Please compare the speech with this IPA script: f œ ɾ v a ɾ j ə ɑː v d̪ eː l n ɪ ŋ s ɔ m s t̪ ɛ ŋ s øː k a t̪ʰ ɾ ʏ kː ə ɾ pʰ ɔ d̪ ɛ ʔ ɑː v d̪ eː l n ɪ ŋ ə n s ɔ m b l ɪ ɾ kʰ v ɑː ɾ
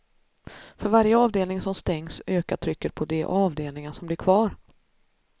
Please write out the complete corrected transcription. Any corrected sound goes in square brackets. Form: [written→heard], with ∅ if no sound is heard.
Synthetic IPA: f œ ɾ v a ɾ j ə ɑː v d̪ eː l n ɪ ŋ s ɔ m s t̪ ɛ ŋ s øː k a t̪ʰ ɾ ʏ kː ə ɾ pʰ ɔ d̪ ɛ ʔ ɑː v d̪ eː l n ɪ ŋ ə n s ɔ m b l ɪ ɾ kʰ v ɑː ɾ